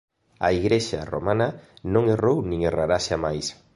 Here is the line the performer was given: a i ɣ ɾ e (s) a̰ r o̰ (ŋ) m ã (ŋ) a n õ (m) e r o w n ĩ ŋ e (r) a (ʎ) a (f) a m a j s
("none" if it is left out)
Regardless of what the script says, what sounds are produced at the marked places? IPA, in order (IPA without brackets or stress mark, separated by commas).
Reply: ʃ, none, n, ŋ, r, ɾ, ʃ